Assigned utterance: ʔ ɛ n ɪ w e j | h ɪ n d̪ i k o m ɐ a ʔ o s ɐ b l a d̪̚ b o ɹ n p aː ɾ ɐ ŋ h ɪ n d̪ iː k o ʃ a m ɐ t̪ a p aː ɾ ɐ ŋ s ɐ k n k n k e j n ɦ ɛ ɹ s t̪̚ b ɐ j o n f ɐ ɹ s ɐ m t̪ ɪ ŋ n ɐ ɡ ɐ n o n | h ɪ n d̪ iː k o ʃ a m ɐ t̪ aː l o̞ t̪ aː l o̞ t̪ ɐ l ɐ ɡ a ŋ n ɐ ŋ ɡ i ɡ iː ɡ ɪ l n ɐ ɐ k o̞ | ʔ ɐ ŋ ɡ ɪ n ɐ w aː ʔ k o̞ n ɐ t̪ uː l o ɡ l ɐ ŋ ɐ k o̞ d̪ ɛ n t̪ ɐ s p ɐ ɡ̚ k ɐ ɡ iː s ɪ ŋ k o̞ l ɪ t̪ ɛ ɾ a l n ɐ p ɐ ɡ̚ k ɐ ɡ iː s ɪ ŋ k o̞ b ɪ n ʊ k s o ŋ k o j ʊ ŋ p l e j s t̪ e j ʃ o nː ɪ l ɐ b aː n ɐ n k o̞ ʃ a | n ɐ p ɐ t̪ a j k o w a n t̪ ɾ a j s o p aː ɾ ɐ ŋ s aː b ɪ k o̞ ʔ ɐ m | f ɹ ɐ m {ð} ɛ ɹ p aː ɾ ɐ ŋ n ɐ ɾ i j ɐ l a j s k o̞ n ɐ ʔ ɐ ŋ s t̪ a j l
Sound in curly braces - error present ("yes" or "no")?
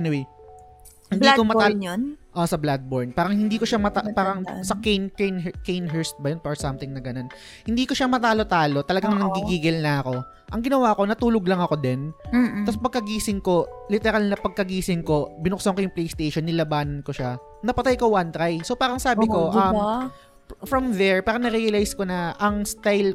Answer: no